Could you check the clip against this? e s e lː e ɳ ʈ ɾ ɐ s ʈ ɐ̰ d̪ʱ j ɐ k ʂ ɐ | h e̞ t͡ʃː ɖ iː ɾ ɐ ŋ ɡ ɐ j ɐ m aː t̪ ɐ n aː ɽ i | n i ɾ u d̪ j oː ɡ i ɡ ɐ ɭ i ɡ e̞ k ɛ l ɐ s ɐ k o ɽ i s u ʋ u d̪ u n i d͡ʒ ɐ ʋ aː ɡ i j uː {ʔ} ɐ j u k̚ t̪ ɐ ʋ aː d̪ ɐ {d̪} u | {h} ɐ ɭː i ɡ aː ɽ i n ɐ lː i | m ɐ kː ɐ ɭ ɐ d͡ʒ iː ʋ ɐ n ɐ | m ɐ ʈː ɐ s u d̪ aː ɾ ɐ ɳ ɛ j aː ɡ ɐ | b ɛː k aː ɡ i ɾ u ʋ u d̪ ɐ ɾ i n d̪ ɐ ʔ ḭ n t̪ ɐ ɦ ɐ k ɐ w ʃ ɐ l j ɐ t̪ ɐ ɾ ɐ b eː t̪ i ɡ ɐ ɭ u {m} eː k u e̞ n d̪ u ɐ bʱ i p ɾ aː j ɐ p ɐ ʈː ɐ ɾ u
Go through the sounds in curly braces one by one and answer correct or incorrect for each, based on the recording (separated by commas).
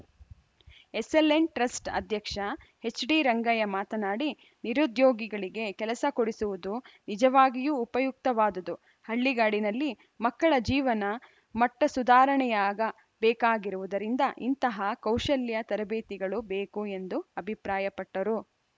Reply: incorrect, correct, correct, incorrect